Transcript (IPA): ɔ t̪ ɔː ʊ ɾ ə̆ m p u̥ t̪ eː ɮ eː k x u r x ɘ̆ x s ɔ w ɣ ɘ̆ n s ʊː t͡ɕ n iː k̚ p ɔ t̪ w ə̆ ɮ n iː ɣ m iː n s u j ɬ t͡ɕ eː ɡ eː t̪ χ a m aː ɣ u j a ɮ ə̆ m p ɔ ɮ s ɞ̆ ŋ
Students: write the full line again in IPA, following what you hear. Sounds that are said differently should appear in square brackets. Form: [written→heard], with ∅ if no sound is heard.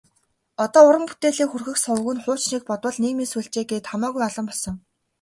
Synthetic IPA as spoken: ɔ t̪ ɔː ʊ ɾ ə̆ m p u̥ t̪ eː ɮ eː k x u r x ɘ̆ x s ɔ w ɣ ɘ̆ n [s→χ] ʊː t͡ɕ n iː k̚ p ɔ t̪ w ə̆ ɮ n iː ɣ m iː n s u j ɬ t͡ɕ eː ɡ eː t̪ χ a m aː ɣ u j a ɮ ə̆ m p ɔ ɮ s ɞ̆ ŋ